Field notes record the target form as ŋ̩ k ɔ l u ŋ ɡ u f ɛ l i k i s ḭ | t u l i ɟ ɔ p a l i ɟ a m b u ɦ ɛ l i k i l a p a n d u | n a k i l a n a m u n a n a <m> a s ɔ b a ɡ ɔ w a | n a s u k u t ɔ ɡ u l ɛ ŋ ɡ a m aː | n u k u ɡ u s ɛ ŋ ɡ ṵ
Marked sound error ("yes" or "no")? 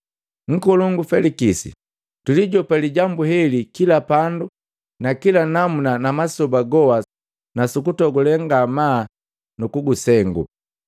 no